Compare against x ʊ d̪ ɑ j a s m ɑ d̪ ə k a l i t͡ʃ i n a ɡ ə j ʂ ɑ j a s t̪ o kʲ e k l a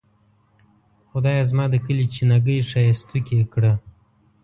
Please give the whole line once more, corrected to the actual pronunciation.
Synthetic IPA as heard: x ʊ d̪ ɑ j a z m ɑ d̪ ə k ə l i t͡ʃ i n a ɡ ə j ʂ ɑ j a s t̪ u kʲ e k ɽ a